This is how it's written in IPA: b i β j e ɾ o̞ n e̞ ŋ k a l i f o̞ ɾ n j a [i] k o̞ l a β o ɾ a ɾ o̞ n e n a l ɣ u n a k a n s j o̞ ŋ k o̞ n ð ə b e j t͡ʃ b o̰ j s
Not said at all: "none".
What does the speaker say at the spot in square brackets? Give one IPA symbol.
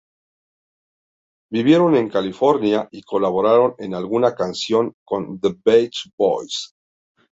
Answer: i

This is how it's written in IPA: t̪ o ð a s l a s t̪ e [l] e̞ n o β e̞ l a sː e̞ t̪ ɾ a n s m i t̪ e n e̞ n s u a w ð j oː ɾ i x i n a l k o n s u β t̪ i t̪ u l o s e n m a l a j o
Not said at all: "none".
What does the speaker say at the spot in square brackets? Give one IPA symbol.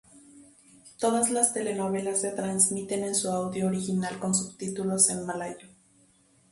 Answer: l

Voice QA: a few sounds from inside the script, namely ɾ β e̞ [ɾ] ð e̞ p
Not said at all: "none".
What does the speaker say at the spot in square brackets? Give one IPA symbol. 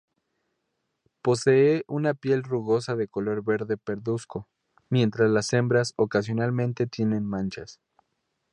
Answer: ɾ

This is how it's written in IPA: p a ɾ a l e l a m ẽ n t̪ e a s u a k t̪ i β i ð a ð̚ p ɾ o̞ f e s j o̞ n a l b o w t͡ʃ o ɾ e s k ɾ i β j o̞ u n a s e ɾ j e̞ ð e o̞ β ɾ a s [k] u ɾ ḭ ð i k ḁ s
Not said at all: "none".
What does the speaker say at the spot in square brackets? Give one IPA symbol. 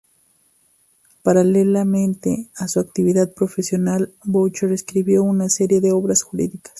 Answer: x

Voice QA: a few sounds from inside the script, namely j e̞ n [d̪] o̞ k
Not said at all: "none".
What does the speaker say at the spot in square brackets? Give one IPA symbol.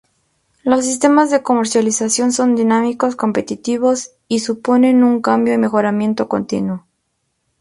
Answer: t̪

